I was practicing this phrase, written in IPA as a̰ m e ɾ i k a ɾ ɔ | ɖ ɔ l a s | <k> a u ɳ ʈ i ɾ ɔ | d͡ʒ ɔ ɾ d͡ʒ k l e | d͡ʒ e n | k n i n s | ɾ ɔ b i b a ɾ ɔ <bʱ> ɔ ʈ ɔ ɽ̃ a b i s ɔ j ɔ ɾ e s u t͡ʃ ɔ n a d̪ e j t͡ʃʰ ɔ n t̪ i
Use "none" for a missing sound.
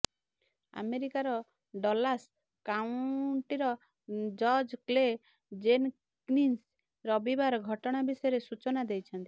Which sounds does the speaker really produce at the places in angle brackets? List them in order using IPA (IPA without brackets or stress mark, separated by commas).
k, ɡʱ